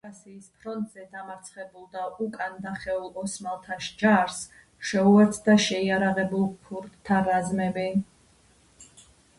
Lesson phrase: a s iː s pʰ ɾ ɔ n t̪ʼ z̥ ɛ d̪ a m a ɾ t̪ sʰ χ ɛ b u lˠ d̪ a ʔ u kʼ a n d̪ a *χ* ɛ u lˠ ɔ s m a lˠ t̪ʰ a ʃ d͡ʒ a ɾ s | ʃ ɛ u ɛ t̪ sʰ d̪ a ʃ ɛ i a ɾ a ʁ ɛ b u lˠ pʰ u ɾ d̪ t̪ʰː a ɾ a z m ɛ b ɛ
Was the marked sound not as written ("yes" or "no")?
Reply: no